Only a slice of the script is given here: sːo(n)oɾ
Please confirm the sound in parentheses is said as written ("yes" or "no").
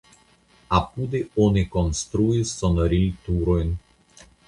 yes